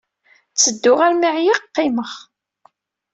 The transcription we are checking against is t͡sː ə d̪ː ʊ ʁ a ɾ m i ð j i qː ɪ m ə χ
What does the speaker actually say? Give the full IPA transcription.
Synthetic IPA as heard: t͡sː ə d̪ː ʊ ʁ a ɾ m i ʕ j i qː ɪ m ə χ